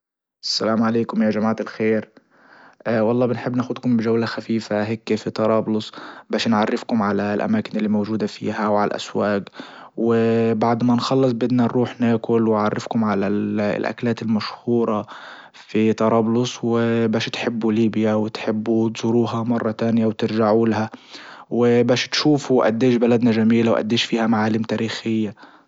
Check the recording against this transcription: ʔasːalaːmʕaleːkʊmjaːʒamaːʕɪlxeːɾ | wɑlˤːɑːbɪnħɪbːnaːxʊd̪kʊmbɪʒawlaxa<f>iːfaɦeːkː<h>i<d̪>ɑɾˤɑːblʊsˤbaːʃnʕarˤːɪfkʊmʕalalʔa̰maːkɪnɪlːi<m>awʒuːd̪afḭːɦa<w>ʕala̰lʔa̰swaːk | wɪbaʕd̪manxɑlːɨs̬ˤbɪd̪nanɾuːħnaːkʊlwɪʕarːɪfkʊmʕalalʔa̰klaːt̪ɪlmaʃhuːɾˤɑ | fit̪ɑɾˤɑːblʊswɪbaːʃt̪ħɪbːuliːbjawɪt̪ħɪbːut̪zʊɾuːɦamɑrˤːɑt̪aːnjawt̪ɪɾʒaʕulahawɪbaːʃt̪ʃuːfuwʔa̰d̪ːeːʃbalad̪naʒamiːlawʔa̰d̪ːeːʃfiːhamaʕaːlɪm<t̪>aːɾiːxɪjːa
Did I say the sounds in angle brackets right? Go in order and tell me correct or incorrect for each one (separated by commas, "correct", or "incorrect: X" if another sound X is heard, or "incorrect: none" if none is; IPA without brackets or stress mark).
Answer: correct, incorrect: f, incorrect: t̪, correct, correct, correct